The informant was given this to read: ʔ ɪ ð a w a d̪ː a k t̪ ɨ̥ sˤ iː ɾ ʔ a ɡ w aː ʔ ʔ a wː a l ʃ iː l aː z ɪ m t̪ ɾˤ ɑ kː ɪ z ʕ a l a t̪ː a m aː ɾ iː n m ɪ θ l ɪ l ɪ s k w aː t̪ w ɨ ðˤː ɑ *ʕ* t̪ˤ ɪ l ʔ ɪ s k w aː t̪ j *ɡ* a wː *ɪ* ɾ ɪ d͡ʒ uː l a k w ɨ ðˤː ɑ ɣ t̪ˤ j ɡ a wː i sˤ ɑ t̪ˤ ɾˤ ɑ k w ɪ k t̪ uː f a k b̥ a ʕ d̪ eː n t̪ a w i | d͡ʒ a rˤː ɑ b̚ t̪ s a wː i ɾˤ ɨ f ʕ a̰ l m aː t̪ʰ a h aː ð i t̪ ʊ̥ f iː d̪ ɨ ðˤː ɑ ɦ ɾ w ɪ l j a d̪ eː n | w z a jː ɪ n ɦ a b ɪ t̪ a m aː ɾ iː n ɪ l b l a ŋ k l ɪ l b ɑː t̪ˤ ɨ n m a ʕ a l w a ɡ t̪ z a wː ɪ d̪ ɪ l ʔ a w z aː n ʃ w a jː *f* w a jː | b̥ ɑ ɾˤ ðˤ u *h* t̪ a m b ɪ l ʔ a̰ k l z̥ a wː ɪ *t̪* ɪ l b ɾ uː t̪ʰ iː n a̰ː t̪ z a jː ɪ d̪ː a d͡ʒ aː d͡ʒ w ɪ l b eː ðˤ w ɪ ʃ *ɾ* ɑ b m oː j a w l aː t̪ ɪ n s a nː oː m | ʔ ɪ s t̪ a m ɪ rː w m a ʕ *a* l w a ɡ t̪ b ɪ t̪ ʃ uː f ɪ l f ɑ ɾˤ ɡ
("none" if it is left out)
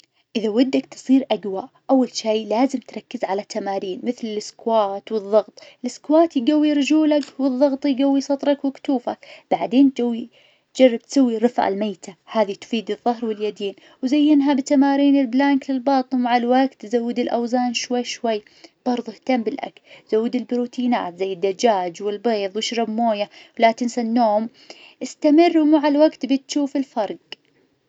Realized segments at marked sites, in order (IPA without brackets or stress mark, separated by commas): ɣ, ɡ, i, ʃ, h, d̪, ɾ, a